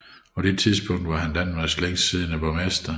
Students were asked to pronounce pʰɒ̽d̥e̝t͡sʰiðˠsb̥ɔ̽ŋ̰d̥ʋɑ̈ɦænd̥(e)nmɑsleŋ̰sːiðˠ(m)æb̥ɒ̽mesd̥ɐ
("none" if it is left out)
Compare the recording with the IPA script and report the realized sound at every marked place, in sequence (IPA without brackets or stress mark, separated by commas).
æ, n